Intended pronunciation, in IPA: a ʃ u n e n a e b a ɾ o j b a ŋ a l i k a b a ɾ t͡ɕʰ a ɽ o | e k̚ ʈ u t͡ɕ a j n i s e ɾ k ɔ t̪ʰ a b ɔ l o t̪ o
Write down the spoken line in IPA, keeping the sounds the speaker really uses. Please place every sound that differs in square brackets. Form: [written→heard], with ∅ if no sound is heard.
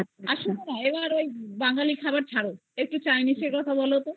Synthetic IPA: a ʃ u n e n a e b a ɾ o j b a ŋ a l i [k→kʰ] a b a ɾ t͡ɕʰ a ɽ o | e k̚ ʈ u t͡ɕ a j n i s e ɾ k ɔ t̪ʰ a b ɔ l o t̪ o